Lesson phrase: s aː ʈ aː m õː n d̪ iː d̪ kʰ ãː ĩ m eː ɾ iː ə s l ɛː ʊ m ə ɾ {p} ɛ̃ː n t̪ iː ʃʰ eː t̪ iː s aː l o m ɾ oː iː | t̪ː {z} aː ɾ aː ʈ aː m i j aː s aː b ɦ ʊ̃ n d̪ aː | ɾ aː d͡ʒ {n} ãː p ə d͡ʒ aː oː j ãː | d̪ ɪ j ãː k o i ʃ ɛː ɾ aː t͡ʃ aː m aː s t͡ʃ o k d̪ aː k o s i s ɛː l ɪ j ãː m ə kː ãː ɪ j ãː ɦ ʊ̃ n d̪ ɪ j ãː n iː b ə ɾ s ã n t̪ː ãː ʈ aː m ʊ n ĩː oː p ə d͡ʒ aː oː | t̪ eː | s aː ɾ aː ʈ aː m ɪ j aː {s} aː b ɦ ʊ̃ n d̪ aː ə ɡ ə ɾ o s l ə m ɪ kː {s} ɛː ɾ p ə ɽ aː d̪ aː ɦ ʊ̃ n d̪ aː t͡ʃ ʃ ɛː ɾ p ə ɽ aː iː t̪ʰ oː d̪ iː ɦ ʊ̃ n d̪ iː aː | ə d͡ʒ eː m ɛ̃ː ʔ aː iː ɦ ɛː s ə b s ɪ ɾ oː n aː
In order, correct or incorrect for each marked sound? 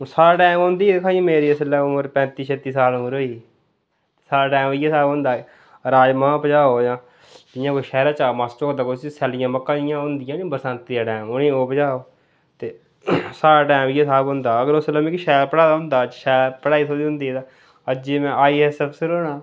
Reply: correct, incorrect: s, incorrect: m, correct, incorrect: ʃ

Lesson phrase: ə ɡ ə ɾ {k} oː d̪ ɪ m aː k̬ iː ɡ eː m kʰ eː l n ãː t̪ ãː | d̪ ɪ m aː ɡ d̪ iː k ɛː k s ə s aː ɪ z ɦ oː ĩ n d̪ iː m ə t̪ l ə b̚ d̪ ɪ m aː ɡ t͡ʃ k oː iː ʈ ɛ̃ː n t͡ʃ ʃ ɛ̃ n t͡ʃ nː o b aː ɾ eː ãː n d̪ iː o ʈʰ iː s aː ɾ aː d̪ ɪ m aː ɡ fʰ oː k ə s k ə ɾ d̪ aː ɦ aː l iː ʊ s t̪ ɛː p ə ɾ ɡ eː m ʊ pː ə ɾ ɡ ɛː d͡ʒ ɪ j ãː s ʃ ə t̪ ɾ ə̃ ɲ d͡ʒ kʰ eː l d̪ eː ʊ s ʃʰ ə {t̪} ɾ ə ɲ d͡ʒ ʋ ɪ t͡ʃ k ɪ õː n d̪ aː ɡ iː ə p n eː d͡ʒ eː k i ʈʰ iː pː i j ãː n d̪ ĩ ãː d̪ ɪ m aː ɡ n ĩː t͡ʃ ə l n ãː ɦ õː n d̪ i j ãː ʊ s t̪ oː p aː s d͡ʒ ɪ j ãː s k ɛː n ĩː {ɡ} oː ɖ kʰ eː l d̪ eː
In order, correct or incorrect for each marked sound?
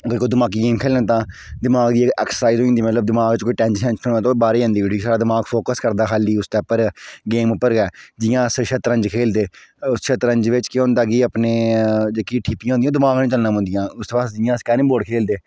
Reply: correct, correct, incorrect: b

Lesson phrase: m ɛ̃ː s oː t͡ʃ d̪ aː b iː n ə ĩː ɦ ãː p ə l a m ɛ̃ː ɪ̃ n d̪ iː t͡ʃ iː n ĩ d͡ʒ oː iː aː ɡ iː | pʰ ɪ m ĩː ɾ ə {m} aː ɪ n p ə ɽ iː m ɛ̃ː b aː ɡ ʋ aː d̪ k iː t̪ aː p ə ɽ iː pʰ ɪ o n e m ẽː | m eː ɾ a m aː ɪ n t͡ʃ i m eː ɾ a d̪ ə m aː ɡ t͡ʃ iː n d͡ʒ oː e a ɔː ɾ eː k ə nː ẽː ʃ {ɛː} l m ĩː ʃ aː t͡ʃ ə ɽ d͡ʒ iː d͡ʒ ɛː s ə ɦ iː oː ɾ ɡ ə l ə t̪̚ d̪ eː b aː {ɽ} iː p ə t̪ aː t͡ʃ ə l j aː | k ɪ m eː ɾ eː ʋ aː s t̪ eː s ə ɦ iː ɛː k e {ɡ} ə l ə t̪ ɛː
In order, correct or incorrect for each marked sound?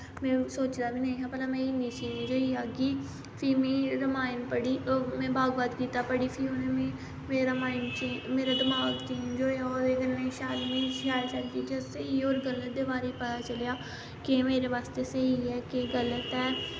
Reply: correct, incorrect: aː, incorrect: ɾ, correct

